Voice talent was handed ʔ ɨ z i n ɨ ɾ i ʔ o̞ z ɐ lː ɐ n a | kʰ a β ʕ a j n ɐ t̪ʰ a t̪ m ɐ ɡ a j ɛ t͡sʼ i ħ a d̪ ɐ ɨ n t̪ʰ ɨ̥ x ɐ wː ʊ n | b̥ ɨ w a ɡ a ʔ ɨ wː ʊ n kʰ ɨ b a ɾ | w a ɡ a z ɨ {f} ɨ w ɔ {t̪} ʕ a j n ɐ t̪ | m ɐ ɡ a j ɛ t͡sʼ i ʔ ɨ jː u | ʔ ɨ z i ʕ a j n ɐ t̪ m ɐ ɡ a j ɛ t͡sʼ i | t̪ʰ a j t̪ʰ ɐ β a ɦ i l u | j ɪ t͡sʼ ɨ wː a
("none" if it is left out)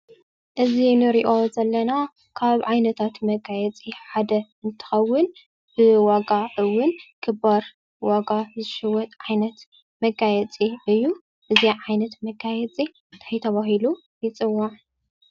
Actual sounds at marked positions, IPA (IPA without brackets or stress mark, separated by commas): ʃ, t̪ʼ